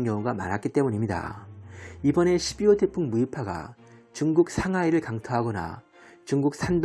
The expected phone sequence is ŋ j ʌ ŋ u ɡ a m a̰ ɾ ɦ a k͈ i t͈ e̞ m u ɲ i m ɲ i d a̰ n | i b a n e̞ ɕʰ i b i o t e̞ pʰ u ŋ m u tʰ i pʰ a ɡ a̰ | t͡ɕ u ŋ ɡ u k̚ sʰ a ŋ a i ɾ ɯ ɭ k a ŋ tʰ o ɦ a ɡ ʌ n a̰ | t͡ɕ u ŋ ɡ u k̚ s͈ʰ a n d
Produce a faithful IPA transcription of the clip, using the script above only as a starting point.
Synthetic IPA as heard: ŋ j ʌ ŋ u ɡ a m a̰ ɾ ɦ a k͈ i t͈ e̞ m u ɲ i m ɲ i d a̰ | i b ʌ n e̞ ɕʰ i b i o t e̞ pʰ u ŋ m u i pʰ a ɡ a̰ | t͡ɕ u ŋ ɡ u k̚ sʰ a ŋ a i ɾ ɯ ɭ k a ŋ tʰ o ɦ a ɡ ʌ n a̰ | t͡ɕ u ŋ ɡ u k̚ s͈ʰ a n d